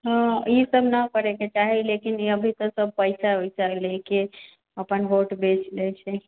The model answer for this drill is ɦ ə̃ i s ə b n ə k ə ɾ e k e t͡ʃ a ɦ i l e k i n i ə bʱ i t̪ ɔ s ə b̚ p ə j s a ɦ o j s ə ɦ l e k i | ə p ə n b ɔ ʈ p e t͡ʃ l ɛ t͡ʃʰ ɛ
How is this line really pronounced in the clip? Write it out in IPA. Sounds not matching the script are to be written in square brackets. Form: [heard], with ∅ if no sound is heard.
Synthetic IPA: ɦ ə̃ i s ə b n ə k ə ɾ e k e t͡ʃ a ɦ i l e k i n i ə bʱ i t̪ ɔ s ə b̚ p ə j s a ɦ o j s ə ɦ l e k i | ə p ə n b [o] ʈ [b] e t͡ʃ l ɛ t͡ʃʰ ɛ